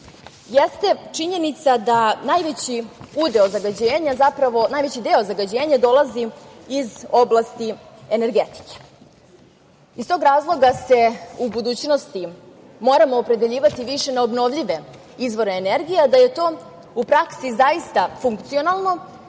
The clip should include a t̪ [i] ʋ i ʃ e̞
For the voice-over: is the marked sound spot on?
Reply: yes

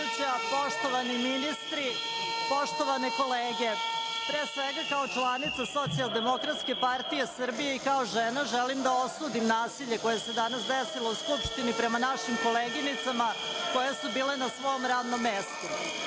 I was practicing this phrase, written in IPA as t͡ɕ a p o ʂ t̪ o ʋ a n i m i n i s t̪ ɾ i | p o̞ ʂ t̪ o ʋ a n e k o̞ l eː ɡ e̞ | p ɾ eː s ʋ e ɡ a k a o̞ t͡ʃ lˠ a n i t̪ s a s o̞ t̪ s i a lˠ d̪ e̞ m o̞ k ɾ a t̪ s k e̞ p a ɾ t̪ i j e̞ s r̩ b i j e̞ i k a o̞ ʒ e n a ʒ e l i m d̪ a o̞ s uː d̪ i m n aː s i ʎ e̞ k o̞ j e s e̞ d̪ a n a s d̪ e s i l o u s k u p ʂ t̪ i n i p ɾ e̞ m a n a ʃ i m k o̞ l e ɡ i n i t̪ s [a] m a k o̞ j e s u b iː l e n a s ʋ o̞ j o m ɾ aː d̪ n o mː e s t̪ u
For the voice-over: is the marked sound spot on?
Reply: yes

